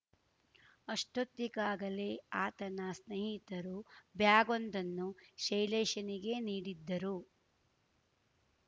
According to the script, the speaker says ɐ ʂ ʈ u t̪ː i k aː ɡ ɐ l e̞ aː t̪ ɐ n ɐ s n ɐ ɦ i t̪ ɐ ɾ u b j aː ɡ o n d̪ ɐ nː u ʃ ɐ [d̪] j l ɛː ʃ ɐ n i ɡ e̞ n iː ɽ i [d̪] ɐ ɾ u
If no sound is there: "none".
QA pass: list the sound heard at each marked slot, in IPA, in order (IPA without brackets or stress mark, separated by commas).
none, d̪ː